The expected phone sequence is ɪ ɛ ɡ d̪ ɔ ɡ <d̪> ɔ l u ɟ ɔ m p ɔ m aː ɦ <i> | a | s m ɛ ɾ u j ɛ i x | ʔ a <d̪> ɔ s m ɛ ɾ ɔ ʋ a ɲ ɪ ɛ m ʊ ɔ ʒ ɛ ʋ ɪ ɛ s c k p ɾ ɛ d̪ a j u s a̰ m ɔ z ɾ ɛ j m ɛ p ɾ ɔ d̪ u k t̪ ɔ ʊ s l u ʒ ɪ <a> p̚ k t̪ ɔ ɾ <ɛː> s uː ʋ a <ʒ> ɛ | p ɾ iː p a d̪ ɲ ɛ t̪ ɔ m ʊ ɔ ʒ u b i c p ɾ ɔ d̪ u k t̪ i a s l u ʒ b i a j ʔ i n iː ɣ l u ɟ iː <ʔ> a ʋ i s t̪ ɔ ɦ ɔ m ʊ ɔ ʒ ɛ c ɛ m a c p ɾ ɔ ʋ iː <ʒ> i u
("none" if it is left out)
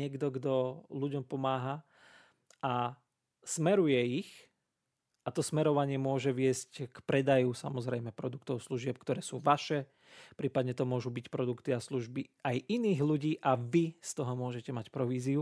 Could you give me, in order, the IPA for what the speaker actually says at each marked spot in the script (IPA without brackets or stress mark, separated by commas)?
d̪, a, t̪, ɛ, ɛː, ʃ, ʔ, z